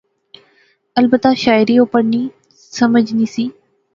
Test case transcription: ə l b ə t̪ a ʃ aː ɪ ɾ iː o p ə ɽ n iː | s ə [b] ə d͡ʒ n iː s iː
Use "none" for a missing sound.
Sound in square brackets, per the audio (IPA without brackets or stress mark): m